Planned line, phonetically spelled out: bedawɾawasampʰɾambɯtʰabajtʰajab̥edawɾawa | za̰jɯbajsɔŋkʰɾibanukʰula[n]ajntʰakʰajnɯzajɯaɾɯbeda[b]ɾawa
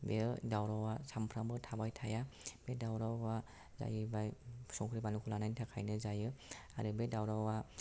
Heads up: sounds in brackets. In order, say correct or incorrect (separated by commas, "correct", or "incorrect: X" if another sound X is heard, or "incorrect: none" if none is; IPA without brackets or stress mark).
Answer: correct, incorrect: w